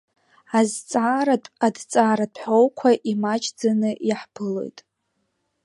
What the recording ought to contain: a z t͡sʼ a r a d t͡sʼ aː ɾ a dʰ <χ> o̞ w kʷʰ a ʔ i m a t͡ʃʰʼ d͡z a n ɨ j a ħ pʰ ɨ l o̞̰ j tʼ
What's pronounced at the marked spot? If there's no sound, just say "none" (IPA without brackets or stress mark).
ħ